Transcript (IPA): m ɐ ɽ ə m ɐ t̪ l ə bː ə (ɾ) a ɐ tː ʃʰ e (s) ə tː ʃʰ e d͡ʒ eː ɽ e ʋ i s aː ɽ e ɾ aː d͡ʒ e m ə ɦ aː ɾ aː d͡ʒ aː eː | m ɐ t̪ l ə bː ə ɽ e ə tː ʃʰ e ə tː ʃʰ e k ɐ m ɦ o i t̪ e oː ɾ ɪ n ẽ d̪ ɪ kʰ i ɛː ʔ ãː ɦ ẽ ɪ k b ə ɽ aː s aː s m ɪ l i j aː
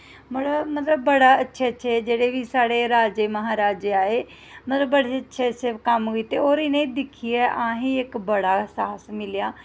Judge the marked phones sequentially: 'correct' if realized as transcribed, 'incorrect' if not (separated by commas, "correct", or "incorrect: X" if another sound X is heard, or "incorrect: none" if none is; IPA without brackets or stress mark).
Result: incorrect: ɽ, incorrect: none